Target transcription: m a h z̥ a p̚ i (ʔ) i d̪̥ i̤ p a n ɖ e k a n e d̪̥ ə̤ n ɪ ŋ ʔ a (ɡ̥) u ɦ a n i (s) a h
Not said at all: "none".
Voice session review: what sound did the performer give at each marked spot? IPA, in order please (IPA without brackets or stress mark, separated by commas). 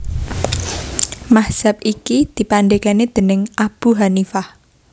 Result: k, b̥, f